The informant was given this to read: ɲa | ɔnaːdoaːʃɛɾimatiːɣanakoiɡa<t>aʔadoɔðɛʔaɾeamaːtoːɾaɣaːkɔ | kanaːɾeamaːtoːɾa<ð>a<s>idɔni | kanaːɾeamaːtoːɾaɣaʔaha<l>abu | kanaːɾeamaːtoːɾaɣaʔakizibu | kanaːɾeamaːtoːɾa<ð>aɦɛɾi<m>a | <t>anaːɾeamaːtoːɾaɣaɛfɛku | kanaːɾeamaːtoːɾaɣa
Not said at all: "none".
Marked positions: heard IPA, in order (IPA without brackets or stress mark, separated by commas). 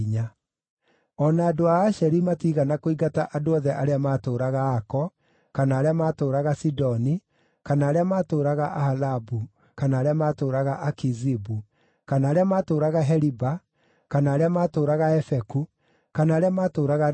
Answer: t, ɣ, s, l, ɣ, b, k